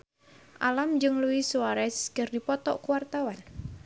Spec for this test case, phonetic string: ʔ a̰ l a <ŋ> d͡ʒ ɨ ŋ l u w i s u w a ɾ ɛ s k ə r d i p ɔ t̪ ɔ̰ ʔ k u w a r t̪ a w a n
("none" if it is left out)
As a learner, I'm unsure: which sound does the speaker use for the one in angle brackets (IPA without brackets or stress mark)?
m